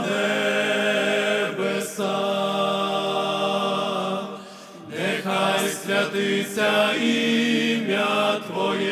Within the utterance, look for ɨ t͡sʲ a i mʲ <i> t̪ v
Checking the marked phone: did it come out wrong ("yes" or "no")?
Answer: yes